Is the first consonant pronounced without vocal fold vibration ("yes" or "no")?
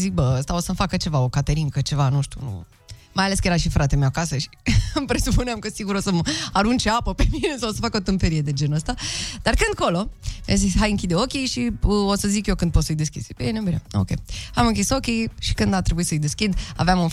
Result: no